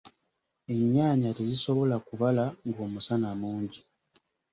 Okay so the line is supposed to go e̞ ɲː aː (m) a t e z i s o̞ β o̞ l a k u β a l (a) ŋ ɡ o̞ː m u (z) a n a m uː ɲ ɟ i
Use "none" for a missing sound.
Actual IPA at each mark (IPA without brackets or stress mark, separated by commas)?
ɲ, a, s